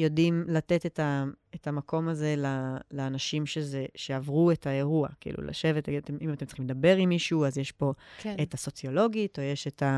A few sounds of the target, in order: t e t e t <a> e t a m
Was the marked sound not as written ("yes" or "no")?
no